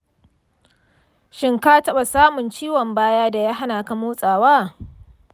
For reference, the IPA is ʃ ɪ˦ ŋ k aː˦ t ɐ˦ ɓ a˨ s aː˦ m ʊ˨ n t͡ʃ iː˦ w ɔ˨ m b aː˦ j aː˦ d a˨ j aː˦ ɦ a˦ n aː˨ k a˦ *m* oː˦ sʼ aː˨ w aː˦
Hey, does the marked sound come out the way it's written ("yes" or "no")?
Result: yes